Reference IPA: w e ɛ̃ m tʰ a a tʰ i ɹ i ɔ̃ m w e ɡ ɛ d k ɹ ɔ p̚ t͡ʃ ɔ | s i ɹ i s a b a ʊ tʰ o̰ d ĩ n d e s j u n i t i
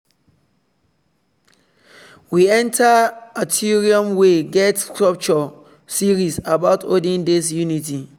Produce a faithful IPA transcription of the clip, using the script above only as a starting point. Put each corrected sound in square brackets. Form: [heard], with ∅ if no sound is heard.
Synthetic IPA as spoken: w [i] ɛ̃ [n] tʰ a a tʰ i ɹ i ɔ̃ m w e ɡ ɛ [t] k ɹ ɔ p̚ t͡ʃ ɔ | s i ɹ i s a b a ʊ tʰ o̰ d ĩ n d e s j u n i t i